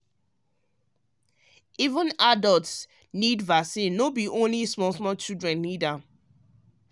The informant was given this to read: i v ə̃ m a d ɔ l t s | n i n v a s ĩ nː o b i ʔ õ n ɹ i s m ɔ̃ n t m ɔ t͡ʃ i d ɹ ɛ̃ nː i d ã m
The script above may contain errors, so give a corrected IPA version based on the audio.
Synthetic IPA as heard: i v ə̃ n a d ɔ l t s | n i d v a s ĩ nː o b i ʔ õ n l i s m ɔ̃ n s m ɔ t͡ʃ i d ɹ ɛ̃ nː i d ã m